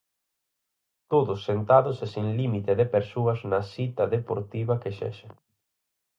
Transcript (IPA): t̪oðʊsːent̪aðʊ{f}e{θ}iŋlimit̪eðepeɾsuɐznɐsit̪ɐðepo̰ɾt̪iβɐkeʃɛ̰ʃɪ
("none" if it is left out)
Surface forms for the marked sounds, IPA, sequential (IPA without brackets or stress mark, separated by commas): s, s